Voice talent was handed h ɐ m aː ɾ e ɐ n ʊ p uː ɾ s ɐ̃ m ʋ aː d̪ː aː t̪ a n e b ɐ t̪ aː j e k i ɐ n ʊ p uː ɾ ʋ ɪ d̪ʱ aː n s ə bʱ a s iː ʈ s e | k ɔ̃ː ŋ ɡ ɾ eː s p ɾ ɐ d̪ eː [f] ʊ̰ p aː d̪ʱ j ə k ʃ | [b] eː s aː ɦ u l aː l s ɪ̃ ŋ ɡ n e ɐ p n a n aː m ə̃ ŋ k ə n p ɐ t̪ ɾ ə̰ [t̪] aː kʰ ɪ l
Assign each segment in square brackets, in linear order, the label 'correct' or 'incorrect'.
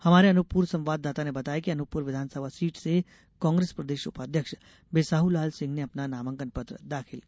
incorrect, correct, incorrect

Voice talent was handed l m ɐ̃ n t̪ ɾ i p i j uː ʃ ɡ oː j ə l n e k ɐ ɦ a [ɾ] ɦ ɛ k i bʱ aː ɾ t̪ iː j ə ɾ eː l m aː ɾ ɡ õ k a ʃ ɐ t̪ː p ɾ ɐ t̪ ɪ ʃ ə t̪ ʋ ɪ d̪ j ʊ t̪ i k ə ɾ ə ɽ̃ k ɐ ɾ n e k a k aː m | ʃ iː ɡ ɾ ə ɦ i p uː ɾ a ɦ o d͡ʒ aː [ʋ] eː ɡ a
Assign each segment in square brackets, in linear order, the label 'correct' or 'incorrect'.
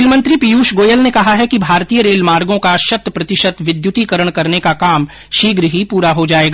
incorrect, incorrect

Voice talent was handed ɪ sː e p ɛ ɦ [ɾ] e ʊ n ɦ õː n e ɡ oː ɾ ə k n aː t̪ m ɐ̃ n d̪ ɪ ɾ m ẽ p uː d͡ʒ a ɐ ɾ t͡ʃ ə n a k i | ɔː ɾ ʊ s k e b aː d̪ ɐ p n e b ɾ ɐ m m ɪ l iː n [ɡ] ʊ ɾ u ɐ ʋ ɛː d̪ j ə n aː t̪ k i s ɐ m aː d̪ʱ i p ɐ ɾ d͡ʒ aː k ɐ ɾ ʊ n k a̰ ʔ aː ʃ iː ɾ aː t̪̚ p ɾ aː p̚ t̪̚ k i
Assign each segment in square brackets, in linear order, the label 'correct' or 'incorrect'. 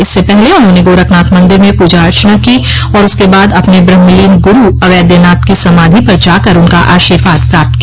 incorrect, correct

